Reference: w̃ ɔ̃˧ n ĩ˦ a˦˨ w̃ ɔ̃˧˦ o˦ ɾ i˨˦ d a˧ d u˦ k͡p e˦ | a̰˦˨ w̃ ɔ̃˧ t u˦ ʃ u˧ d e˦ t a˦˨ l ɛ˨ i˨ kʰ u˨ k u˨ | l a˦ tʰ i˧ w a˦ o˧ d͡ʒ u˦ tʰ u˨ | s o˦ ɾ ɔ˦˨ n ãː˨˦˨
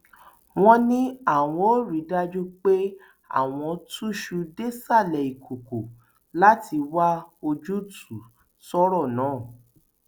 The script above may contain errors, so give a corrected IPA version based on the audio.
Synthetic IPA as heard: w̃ ɔ̃˧ n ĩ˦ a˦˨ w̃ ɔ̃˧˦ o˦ ɾ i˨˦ d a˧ d͡ʒ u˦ k͡p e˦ | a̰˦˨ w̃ ɔ̃˧ t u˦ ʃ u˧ d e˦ s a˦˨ l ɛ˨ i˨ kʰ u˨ k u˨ | l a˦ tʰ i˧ w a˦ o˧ d͡ʒ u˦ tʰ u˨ | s ɔ˦ ɾ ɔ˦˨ n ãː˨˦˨

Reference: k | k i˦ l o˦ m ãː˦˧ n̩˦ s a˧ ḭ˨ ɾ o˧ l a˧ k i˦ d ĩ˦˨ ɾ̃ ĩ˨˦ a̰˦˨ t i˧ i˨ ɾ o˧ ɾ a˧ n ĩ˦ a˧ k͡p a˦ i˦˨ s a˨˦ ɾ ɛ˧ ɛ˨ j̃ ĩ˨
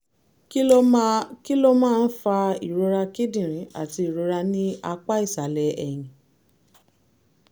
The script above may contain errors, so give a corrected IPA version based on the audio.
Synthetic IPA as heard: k | k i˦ l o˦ m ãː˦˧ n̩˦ f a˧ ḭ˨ ɾ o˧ ɾ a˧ k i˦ d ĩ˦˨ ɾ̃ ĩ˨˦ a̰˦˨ t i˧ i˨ ɾ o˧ ɾ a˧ n ĩ˦ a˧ k͡p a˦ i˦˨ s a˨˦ l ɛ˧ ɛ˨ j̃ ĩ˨

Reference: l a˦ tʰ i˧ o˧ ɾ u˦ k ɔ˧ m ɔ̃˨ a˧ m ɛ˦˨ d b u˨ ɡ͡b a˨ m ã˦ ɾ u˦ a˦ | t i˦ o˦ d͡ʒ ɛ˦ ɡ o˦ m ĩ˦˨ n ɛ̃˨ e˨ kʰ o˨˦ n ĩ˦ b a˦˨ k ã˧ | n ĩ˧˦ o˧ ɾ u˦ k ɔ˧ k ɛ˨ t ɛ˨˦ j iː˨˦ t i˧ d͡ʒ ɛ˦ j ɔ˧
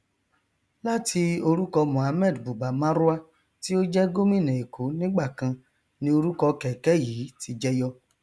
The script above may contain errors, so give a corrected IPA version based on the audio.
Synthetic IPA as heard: l a˦ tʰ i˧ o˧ ɾ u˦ k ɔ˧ m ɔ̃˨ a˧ m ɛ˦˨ d b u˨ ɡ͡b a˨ m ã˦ ɾ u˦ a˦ | t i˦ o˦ d͡ʒ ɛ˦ ɡ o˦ m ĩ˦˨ n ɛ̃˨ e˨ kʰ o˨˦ n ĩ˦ ɡ͡b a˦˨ k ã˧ | n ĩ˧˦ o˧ ɾ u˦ k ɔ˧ k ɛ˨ k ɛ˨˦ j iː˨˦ t i˧ d͡ʒ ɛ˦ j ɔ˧

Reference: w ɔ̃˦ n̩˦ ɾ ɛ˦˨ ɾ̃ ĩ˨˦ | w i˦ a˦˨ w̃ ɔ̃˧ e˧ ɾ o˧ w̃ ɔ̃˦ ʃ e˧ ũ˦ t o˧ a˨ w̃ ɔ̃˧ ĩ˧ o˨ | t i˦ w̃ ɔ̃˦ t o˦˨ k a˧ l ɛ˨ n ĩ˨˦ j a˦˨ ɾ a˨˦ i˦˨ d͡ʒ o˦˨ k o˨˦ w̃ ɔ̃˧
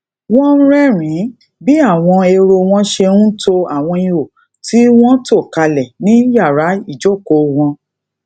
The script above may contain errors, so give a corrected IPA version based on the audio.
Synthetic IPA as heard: w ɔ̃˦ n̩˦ ɾ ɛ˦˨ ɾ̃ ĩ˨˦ | b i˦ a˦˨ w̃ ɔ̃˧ e˧ ɾ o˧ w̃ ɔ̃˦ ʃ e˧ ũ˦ t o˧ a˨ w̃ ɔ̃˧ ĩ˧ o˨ | t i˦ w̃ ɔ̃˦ t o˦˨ k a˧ l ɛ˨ n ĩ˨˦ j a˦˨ ɾ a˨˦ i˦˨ d͡ʒ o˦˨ k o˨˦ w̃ ɔ̃˧

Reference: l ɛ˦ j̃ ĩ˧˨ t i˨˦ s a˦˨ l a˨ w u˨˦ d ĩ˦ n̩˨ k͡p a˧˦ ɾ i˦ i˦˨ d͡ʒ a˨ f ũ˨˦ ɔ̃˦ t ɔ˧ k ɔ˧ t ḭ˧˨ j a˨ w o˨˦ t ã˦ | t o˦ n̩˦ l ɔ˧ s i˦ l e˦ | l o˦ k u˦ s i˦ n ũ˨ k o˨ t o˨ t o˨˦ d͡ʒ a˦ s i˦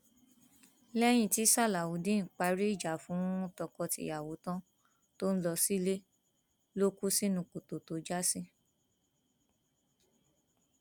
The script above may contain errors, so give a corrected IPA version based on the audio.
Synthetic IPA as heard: l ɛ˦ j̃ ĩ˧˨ t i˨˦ s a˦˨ l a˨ w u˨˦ d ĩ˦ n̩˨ k͡p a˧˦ ɾ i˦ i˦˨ d͡ʒ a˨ f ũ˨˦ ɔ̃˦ t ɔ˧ k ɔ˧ t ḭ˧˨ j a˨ w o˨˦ t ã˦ | t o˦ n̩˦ l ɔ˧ s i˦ l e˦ | l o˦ k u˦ s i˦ n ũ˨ k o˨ t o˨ t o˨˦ d͡ʒ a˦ s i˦

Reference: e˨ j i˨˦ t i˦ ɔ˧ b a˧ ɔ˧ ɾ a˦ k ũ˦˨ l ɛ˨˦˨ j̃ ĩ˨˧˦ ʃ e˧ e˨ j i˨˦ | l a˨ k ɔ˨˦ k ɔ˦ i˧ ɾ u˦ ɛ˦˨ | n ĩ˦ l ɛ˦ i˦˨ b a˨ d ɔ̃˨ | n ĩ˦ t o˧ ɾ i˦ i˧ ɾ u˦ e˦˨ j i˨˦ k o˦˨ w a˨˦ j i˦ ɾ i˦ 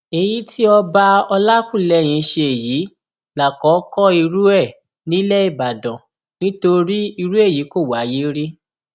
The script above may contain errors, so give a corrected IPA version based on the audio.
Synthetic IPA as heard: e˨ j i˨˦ t i˦ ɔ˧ b a˧ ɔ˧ l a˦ k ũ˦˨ l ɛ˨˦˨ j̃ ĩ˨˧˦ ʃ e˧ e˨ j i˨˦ | l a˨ k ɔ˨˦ k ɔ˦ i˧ ɾ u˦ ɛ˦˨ | n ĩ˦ l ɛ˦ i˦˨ b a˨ d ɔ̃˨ | n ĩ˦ t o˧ ɾ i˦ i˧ ɾ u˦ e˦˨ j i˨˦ k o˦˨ w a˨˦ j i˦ ɾ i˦

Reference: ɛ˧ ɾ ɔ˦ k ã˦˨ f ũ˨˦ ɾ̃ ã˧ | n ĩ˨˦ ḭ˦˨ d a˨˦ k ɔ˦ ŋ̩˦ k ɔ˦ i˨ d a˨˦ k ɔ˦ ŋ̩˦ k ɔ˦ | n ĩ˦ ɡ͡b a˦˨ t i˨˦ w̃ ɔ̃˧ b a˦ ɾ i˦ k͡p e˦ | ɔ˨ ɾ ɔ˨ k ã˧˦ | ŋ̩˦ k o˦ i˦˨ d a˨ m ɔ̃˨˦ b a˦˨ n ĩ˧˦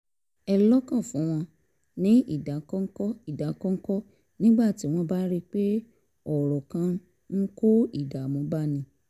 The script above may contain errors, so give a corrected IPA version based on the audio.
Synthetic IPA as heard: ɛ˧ l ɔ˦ k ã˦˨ f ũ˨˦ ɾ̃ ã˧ | n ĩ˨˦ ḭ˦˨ d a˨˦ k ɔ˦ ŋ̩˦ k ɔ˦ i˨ d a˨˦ k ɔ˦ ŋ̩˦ k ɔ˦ | n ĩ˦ ɡ͡b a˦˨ t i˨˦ w̃ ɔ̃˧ b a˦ ɾ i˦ k͡p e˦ | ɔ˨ ɾ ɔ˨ k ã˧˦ | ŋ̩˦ k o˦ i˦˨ d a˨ m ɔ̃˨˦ b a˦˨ n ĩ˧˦

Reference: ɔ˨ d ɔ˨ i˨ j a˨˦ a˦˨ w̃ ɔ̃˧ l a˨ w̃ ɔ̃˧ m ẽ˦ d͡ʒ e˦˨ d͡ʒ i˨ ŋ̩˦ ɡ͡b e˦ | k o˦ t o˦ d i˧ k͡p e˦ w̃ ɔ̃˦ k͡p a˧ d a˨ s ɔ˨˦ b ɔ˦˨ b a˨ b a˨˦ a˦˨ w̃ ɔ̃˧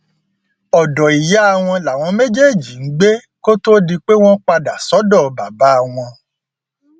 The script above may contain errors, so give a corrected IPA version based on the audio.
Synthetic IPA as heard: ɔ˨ d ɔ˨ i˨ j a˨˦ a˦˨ w̃ ɔ̃˧ l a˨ w̃ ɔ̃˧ m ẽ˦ d͡ʒ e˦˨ d͡ʒ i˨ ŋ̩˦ ɡ͡b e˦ | k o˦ t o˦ d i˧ k͡p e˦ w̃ ɔ̃˦ k͡p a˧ d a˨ s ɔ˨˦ d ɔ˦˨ b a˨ b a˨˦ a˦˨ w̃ ɔ̃˧

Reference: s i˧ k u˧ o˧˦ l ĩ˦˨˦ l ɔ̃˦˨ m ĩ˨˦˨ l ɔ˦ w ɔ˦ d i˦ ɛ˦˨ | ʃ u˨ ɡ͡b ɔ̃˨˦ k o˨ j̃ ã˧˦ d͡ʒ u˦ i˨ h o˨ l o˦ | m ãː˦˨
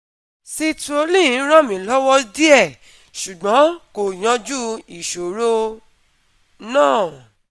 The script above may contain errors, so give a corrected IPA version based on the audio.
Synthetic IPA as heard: s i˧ t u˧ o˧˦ l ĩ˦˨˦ ɾ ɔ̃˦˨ m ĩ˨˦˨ l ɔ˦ w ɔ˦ d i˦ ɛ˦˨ | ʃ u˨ ɡ͡b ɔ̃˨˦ k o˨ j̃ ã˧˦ d͡ʒ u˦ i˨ ʃ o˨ ɾ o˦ | n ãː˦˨

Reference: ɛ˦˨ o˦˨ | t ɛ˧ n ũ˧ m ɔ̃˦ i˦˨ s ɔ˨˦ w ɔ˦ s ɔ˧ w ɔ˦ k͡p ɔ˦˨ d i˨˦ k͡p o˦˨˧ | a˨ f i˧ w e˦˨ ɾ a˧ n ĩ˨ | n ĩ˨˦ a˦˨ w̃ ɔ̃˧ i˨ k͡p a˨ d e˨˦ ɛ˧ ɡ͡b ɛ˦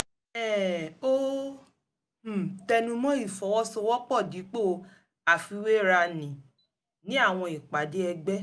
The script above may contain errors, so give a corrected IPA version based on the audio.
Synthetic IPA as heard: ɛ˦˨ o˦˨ | t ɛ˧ n ũ˧ m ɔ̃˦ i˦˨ f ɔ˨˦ w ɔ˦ s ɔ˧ w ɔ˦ k͡p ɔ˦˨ d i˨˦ k͡p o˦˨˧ | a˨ f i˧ w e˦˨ ɾ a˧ n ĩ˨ | n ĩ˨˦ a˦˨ w̃ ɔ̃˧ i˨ k͡p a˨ d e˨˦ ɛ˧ ɡ͡b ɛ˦

